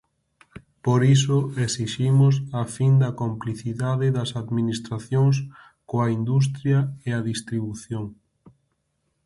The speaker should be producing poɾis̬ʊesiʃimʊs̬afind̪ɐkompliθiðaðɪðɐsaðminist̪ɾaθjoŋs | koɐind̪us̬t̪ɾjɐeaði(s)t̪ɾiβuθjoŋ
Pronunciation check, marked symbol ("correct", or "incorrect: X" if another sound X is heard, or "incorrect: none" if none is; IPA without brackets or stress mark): correct